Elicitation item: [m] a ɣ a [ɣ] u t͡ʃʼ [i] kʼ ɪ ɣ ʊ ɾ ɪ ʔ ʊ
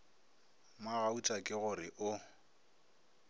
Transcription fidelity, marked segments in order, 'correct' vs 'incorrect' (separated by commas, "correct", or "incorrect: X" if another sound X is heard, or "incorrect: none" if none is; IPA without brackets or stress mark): correct, incorrect: none, incorrect: a